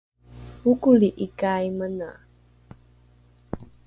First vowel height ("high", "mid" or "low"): high